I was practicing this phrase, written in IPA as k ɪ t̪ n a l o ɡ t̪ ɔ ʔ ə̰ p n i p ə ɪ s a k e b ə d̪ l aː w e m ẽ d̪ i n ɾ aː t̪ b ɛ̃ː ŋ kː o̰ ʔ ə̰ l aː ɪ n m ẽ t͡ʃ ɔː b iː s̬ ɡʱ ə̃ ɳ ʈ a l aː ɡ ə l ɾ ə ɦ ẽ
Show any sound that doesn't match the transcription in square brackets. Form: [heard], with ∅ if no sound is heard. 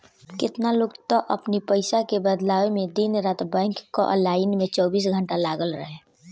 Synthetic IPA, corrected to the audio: k ɪ t̪ n a l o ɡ t̪ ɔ ʔ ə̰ p n i p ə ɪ s a k e b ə d̪ l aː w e m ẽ d̪ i n ɾ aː t̪ b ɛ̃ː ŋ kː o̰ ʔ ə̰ l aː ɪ n m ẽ t͡ʃ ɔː b iː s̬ ɡʱ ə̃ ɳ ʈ a l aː ɡ ə l ɾ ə ɦ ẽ